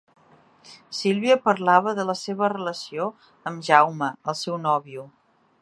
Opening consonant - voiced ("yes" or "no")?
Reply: no